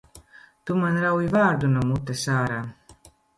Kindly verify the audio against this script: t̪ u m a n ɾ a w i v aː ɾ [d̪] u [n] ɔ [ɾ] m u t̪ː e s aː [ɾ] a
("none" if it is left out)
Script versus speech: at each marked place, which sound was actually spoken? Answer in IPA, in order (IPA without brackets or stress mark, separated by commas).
d̪, n, none, ɾ